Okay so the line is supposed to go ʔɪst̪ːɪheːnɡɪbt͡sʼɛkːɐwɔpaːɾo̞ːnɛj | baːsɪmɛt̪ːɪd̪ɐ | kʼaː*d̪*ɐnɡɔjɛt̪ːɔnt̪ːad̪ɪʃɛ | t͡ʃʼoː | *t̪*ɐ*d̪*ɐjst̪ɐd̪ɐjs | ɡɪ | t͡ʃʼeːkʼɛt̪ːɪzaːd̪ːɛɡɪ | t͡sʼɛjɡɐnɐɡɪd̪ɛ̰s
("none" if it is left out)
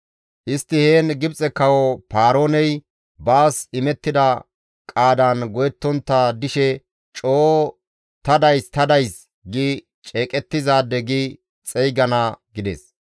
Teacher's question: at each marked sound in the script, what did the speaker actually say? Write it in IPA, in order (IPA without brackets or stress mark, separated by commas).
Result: d̪, t̪, d̪